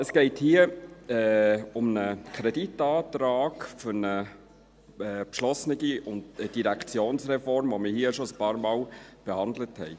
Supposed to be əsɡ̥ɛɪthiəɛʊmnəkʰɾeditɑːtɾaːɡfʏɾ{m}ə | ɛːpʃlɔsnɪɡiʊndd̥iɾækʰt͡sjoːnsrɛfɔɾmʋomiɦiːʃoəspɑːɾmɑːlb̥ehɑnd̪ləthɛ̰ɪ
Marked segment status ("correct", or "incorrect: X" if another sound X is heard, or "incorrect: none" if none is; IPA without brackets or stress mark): incorrect: n